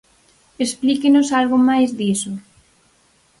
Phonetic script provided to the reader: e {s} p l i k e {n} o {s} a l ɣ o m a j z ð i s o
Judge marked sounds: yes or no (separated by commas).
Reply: yes, yes, yes